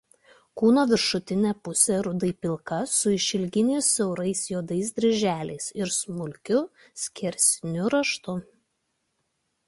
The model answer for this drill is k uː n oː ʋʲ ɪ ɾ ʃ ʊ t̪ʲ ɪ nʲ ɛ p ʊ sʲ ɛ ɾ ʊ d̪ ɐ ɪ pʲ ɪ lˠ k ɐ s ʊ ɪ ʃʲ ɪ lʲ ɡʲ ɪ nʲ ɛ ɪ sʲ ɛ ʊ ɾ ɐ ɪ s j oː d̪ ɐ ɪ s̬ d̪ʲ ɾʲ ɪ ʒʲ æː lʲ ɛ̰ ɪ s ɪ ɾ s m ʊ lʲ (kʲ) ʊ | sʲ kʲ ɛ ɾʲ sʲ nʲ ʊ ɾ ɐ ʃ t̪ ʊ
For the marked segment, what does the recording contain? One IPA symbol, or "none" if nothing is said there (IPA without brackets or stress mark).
kʲ